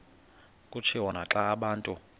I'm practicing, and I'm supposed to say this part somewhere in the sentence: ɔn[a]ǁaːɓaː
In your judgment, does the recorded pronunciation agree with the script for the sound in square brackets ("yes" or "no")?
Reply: yes